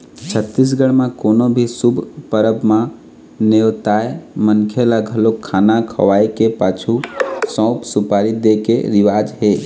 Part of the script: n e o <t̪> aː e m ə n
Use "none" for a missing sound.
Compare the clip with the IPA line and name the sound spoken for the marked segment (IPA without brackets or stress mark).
t̪